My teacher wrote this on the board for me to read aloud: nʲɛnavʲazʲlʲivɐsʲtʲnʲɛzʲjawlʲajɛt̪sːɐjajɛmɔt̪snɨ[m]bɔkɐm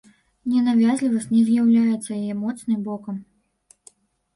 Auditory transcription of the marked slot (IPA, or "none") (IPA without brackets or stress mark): m